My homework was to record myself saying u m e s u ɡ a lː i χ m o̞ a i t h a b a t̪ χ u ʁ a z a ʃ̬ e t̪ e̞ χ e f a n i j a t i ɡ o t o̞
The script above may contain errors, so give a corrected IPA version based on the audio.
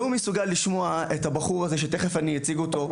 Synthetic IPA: u m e s u ɡ a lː i ʃ m o̞ a e t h a b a χ u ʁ a z e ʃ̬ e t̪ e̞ χ e f a n i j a t͡s i ɡ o t o̞

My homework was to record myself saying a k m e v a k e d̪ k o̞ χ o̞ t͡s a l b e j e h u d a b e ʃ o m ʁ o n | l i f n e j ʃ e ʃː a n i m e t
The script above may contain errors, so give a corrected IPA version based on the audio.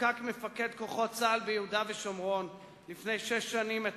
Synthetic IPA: a k m e f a k e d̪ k o̞ χ o̞ t͡s a l b e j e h u d a v e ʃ o m ʁ o n | l i f n e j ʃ e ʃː a n i m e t

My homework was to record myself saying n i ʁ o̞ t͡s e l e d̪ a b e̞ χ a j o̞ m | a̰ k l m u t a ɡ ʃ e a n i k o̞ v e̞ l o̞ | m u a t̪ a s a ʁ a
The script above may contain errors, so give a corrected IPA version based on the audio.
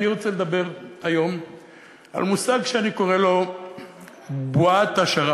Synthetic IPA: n i ʁ o̞ t͡s e l e d̪ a b e̞ ʁ a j o̞ m | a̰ l m u s a ɡ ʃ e a n i k o̞ ʁ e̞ l o̞ | b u a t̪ a ʃ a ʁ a

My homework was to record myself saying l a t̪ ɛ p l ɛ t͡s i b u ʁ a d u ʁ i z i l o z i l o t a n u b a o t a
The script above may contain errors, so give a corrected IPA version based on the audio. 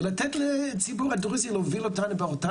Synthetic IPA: l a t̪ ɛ t l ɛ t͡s i b u ʁ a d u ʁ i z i l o v i l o t a n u b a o t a

